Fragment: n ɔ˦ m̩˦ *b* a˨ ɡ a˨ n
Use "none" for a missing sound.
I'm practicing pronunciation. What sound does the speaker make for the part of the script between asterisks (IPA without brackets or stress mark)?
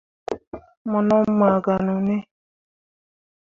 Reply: m